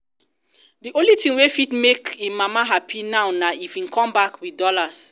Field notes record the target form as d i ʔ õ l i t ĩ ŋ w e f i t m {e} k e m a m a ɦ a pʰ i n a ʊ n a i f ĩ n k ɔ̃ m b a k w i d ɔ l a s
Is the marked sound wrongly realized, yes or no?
no